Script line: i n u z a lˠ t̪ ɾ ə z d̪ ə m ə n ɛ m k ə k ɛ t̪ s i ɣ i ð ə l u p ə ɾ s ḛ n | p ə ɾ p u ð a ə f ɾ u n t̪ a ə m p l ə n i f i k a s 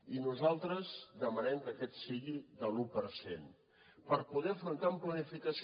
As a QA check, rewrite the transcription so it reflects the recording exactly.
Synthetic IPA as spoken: i n u z a lˠ t̪ ɾ ə z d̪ ə m ə n ɛ m k ə k ɛ t̪ s i ɣ i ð ə l u p ə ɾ s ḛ n | p ə ɾ p u ð ɛ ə f ɾ u n t̪ a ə m p l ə n i f i k ə s